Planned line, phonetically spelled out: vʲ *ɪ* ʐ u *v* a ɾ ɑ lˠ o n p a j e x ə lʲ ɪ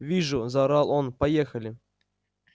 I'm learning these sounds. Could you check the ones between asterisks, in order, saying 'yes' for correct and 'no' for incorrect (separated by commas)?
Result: no, no